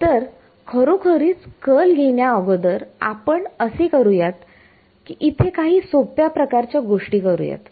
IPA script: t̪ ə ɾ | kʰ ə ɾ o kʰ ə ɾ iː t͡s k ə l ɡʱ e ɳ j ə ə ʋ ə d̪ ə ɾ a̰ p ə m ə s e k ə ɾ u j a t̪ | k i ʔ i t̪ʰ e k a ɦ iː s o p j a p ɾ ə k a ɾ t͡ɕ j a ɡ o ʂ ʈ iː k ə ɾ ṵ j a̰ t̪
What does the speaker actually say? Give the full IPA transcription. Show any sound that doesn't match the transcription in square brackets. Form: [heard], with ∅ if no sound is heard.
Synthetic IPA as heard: t̪ ə ɾ | kʰ ə ɾ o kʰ ə ɾ iː t͡s k ə l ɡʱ e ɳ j [a] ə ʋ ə d̪ ə ɾ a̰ p ə [ɳ] ə s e k ə ɾ u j a t̪ | k i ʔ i t̪ʰ e k a ɦ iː s o p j a p ɾ ə k a ɾ t͡ɕ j a ɡ o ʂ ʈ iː k ə ɾ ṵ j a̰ t̪